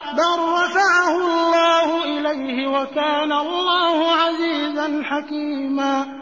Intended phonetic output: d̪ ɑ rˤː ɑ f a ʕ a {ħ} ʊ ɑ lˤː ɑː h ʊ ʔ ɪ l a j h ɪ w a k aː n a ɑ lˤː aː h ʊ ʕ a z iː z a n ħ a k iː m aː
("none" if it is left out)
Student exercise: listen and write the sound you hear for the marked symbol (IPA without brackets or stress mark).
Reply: h